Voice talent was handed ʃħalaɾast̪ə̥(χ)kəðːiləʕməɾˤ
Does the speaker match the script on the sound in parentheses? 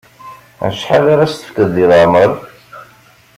no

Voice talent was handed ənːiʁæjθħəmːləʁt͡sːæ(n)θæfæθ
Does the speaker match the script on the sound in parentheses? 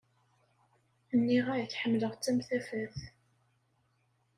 no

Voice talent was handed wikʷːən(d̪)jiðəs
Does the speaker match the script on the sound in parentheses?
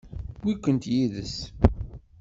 no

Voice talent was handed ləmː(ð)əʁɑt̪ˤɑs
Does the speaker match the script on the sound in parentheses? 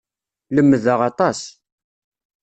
yes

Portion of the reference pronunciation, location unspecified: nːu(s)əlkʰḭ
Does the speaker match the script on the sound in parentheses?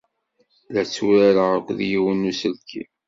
yes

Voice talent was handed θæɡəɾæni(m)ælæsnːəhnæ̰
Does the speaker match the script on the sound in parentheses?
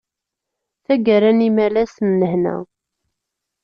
yes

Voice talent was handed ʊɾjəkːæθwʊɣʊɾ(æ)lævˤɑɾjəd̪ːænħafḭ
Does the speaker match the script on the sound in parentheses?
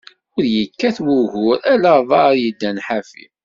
yes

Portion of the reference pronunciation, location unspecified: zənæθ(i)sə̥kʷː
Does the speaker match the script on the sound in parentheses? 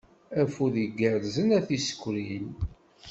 yes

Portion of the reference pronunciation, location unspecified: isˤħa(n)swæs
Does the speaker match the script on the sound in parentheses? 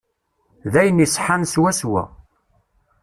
yes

